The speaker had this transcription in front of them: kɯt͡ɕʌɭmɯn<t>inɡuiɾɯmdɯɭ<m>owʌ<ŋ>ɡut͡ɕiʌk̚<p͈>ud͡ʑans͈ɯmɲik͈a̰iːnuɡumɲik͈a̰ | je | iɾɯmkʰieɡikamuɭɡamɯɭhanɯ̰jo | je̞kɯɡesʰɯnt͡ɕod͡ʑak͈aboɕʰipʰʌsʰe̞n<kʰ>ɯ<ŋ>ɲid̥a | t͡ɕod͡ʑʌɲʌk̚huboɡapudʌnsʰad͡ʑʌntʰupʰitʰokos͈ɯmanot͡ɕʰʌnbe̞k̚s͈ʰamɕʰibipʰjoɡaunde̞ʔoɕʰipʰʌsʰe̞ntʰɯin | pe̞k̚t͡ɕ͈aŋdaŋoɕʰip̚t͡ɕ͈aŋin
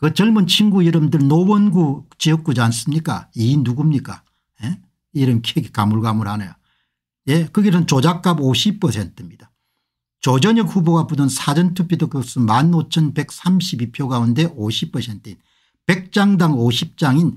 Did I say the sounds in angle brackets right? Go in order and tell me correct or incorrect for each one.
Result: incorrect, incorrect, incorrect, incorrect, incorrect, incorrect

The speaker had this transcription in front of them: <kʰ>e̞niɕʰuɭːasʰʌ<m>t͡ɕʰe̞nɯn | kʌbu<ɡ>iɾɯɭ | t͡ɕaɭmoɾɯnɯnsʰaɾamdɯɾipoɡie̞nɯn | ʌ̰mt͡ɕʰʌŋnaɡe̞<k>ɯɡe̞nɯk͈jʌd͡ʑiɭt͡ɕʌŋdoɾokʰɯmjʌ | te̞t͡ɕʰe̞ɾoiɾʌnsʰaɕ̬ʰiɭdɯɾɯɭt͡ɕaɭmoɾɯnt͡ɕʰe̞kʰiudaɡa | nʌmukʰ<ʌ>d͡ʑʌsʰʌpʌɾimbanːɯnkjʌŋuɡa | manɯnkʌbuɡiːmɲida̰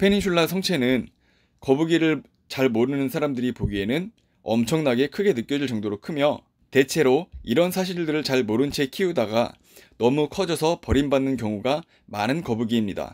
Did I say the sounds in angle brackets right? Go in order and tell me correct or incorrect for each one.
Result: incorrect, incorrect, correct, incorrect, correct

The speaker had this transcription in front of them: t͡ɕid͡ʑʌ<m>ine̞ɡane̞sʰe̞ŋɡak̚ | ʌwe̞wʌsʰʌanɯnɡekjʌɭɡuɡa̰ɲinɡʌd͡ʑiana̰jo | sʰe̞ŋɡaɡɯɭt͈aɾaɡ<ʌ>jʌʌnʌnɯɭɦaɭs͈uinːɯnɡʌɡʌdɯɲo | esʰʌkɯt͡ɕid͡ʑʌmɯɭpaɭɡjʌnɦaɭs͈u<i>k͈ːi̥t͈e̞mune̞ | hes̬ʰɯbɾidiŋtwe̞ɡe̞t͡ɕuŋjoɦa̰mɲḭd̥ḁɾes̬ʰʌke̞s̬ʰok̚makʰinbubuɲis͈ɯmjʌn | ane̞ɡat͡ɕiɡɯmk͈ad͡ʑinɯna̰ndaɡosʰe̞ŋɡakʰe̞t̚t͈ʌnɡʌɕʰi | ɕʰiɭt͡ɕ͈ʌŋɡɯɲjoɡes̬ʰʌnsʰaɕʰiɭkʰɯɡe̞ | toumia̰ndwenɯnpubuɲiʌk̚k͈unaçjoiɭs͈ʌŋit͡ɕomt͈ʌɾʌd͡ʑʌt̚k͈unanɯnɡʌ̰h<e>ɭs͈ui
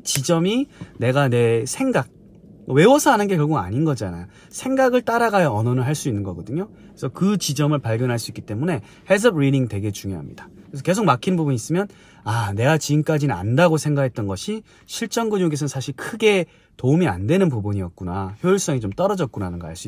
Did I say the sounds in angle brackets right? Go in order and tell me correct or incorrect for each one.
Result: correct, incorrect, correct, incorrect

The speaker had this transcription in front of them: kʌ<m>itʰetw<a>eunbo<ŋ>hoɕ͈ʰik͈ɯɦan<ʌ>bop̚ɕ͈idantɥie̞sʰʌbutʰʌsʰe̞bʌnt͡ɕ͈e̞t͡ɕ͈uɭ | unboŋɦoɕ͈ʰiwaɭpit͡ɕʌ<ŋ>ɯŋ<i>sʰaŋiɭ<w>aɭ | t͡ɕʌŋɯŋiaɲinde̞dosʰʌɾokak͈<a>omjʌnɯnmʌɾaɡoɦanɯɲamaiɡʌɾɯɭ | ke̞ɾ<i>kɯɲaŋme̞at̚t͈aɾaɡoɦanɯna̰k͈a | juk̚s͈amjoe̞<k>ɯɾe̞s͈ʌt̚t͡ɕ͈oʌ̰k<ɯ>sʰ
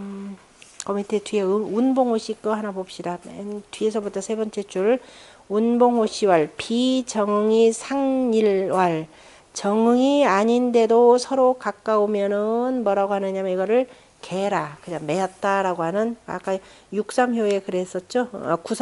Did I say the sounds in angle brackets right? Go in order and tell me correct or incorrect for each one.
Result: correct, incorrect, correct, incorrect, correct, correct, correct, correct, incorrect, correct, incorrect

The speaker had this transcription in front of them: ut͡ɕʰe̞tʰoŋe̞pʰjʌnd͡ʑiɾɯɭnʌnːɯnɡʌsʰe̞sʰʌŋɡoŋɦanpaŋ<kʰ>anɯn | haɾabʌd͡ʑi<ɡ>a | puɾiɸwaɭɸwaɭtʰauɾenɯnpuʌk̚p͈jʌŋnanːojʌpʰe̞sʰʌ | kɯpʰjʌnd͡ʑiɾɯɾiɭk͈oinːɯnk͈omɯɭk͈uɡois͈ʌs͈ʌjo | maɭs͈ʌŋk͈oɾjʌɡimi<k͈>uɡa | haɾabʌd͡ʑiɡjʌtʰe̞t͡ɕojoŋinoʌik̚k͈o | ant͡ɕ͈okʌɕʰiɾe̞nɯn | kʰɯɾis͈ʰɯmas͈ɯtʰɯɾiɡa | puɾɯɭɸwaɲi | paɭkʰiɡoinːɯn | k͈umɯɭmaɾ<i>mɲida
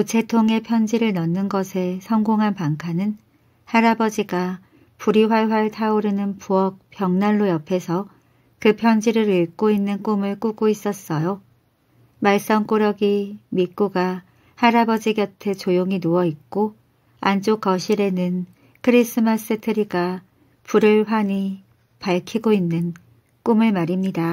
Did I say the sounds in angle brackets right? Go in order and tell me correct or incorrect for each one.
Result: correct, correct, correct, correct

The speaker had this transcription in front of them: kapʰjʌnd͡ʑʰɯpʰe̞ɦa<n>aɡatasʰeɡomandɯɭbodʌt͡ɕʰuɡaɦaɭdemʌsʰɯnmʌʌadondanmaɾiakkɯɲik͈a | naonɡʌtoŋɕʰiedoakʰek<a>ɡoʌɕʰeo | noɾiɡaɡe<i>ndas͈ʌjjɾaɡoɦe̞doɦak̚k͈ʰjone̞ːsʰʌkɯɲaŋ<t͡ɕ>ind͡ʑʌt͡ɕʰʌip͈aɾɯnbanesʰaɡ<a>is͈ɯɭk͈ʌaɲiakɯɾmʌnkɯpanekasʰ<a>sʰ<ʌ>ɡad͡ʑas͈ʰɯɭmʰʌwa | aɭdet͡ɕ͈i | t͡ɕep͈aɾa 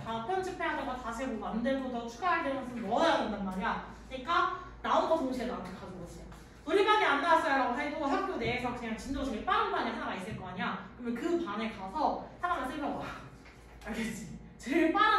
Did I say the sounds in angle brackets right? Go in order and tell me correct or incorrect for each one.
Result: incorrect, correct, incorrect, correct, correct, incorrect, incorrect

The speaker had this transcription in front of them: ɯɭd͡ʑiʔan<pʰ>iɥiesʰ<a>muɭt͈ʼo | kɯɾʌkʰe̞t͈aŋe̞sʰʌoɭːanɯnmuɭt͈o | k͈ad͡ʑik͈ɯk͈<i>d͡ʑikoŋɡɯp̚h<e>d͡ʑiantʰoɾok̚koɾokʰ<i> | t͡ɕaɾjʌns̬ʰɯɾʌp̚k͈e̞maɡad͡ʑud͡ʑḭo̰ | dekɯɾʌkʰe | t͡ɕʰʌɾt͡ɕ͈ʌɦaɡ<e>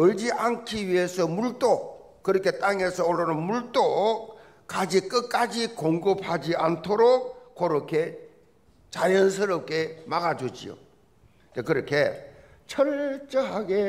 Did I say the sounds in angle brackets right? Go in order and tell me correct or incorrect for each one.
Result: incorrect, incorrect, incorrect, incorrect, incorrect, correct

